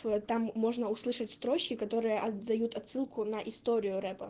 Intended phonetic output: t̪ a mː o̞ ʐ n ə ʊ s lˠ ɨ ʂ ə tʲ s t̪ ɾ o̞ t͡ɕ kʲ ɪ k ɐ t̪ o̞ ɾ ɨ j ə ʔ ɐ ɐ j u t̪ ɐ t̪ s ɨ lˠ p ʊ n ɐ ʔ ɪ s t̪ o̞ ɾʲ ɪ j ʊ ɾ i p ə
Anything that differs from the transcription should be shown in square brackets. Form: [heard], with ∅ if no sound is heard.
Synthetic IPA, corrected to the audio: t̪ a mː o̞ ʐ n ə ʊ s lˠ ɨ ʂ ə tʲ s t̪ ɾ o̞ t͡ɕ kʲ ɪ k ɐ t̪ o̞ ɾ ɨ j ə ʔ ɐ ɐ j u t̪ ɐ t̪ s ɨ lˠ [k] ʊ n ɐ ʔ ɪ s t̪ o̞ ɾʲ ɪ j ʊ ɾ [ɛ] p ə